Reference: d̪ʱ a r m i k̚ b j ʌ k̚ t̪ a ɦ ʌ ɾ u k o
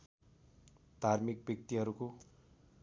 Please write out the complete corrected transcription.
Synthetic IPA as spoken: d̪ʱ a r m i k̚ b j ʌ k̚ t̪ i ɦ ʌ ɾ u k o